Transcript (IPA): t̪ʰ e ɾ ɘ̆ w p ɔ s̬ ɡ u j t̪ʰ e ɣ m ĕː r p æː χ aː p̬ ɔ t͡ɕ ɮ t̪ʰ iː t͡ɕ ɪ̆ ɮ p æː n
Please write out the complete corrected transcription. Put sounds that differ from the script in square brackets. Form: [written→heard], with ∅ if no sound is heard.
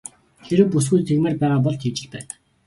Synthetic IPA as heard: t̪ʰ e ɾ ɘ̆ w p [ɔ→u] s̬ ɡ u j t̪ʰ e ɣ m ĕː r p æː [χ→ʁ] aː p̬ ɔ [t͡ɕ→∅] ɮ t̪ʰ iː t͡ɕ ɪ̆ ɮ p æː n